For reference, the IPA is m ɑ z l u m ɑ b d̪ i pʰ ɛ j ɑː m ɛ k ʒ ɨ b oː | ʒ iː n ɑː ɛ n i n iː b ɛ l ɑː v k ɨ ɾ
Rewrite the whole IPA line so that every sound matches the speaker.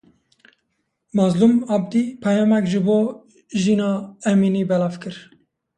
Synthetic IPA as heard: m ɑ z l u m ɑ b d̪ i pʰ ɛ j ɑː m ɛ k ʒ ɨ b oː | ʒ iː n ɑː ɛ m i n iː b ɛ l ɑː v k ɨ ɾ